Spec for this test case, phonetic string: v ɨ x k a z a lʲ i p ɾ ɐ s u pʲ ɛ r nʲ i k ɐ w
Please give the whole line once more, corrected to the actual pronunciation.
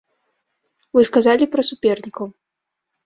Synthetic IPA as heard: v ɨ s k a z a lʲ i p ɾ ɐ s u pʲ ɛ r nʲ i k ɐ w